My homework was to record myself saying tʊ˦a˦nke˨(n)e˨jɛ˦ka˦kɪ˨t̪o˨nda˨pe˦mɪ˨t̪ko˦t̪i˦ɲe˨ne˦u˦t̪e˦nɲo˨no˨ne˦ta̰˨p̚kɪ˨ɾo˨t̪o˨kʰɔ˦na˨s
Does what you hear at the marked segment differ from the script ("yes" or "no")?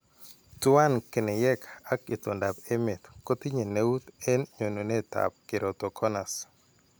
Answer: no